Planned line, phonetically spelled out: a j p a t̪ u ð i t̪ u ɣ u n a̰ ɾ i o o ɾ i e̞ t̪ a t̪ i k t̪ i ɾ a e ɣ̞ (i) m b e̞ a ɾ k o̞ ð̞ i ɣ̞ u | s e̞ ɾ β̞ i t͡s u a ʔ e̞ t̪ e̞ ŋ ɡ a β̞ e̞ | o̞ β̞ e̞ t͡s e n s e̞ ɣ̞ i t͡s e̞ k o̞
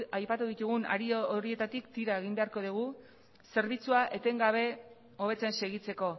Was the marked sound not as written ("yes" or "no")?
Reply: no